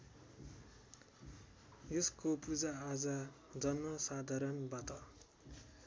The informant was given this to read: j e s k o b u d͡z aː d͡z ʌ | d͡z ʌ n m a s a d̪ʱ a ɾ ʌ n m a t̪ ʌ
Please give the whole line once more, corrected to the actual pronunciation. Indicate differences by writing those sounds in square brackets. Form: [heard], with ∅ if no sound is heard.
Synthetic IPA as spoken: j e s k o [p] u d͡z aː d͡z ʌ | d͡z ʌ n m [ʌ] s a d̪ʱ a ɾ ʌ n [b] a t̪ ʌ